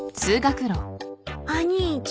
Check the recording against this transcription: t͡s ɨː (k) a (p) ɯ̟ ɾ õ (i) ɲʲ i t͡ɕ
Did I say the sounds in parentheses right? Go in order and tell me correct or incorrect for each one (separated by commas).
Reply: incorrect, incorrect, incorrect